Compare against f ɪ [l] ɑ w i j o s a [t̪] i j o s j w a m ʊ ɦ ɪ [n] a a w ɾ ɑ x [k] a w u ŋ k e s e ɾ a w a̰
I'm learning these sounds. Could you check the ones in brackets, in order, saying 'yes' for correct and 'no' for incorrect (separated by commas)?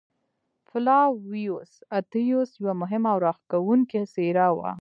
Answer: yes, yes, no, yes